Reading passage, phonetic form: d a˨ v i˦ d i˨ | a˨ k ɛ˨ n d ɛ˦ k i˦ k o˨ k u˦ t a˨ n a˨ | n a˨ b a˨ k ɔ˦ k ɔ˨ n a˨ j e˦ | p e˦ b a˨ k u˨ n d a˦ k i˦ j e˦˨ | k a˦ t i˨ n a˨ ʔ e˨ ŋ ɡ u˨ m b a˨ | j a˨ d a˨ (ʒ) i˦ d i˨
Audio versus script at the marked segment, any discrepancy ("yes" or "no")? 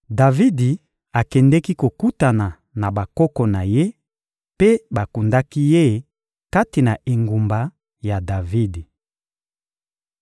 yes